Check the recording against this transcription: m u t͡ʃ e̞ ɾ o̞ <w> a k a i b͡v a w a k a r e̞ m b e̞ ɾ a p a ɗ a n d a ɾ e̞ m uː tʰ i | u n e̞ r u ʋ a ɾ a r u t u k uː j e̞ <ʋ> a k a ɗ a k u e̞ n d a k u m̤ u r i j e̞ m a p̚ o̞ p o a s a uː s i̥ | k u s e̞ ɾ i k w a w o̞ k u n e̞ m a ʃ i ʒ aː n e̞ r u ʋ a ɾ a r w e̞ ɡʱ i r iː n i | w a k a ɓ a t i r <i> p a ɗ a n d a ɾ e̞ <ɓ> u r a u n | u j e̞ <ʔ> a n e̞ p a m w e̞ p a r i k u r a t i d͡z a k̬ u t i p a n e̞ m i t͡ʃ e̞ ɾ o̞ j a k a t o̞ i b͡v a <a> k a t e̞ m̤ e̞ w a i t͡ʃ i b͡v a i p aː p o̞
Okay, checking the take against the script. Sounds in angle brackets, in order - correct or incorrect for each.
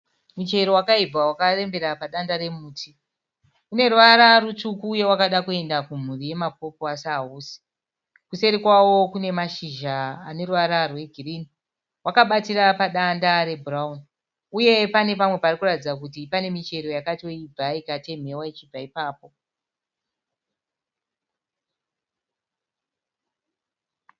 correct, incorrect, incorrect, incorrect, incorrect, incorrect

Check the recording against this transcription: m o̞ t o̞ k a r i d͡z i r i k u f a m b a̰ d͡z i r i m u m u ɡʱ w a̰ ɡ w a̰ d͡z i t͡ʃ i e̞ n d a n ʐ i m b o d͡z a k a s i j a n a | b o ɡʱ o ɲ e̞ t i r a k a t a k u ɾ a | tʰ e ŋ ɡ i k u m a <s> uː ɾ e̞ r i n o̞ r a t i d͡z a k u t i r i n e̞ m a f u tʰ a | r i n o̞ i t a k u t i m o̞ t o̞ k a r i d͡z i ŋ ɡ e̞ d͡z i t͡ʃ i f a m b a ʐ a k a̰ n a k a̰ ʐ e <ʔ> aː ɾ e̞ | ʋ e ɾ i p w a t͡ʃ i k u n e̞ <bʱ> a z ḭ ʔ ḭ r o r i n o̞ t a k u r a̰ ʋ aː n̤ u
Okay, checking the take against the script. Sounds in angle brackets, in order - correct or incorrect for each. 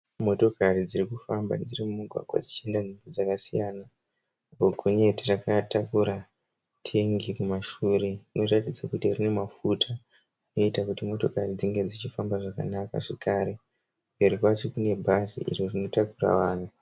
incorrect, incorrect, correct

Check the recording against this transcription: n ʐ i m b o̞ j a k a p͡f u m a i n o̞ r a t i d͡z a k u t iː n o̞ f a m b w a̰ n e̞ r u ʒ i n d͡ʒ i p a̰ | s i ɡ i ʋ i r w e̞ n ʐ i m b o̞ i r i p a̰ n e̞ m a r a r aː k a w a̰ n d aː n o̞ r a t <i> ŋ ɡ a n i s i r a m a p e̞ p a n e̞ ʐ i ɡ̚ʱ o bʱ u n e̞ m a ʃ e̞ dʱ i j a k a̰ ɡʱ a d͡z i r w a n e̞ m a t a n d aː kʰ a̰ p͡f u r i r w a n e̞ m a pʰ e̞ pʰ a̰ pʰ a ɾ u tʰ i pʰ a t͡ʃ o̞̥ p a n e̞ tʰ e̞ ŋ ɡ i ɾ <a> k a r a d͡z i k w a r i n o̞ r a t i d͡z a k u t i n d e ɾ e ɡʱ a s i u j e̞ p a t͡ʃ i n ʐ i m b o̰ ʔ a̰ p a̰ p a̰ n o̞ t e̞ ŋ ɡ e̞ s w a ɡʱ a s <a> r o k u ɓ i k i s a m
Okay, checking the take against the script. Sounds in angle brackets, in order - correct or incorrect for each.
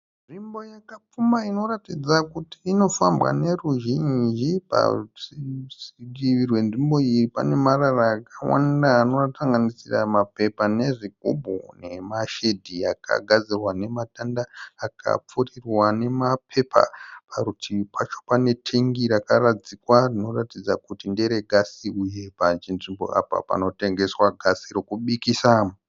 incorrect, correct, incorrect

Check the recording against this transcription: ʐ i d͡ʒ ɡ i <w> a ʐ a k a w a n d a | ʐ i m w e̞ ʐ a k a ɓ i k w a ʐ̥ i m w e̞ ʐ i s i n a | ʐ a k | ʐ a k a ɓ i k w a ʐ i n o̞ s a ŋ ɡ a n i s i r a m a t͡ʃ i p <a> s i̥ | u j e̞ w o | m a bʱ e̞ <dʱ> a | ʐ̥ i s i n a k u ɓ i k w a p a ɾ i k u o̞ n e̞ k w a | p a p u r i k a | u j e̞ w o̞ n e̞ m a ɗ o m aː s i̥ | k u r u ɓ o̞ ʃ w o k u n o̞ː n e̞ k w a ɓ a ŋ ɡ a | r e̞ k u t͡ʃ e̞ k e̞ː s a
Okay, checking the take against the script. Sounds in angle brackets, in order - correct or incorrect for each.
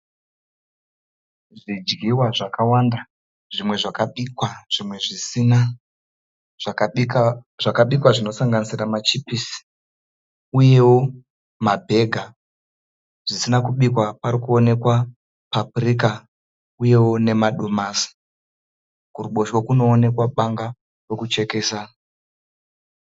correct, incorrect, incorrect

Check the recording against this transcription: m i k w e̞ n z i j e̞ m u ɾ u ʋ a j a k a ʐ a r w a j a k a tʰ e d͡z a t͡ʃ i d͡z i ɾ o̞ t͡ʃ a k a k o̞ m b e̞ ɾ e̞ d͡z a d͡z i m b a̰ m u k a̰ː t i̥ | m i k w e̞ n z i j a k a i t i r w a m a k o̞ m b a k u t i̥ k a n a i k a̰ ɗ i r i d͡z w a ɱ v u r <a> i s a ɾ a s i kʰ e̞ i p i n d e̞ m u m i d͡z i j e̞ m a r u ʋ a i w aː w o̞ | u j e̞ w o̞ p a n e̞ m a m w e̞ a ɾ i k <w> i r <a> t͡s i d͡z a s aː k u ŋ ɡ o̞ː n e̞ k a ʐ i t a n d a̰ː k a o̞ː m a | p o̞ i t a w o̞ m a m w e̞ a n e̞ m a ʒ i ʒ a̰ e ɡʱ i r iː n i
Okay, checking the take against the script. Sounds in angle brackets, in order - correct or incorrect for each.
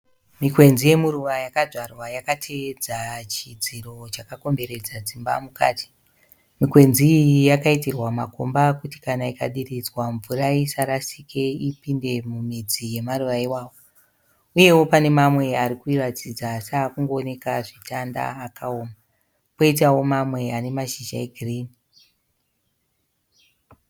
correct, incorrect, correct

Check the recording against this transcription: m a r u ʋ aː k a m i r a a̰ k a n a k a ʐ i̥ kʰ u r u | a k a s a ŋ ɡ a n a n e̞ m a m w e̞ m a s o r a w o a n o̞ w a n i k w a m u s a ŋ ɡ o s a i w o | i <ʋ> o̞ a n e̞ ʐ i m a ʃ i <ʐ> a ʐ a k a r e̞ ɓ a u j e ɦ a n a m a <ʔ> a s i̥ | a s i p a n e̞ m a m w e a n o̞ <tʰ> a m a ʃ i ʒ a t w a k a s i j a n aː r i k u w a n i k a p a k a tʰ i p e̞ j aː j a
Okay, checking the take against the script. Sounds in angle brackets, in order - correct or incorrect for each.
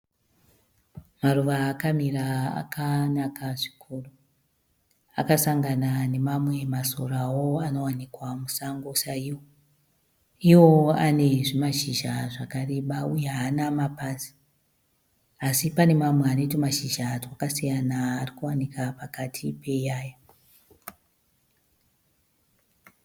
incorrect, incorrect, incorrect, incorrect

